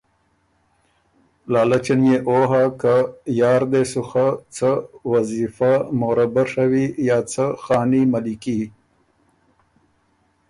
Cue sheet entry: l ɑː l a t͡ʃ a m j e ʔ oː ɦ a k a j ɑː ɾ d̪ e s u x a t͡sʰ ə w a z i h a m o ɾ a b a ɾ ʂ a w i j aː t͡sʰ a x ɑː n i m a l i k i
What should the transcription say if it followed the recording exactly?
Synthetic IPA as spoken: l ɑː l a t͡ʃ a n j e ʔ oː ɦ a k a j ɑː ɾ d̪ e s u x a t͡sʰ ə w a z i f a m o ɾ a b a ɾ ʂ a w i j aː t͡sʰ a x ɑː n i m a l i k i